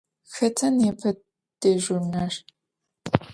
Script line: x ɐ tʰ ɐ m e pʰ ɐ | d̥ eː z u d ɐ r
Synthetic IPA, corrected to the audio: x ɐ tʰ ɐ n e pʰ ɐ | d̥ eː ʒ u n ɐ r